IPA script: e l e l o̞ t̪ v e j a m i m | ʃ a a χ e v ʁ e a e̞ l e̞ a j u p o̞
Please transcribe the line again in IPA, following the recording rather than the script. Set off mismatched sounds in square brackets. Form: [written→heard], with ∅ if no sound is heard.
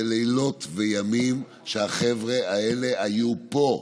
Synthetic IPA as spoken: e l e l o̞ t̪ v e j a m i m | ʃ [a→e] a χ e v ʁ e a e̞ l e̞ a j u p o̞